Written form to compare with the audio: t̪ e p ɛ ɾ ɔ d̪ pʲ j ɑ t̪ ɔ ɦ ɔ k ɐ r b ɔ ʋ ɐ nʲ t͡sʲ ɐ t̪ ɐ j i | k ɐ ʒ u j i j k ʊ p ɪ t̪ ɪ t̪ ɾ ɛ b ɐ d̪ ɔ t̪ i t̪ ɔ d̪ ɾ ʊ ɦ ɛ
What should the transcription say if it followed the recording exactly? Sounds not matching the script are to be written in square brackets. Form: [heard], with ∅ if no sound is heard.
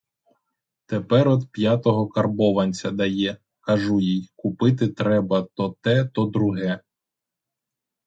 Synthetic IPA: t̪ e p ɛ ɾ ɔ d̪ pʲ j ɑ t̪ ɔ ɦ ɔ k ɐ r b ɔ ʋ ɐ nʲ t͡sʲ ɐ [d̪] ɐ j [ɛ] | k ɐ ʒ u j i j k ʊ p ɪ t̪ ɪ t̪ ɾ ɛ b ɐ [t̪] ɔ t̪ [ɛ] t̪ ɔ d̪ ɾ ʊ ɦ ɛ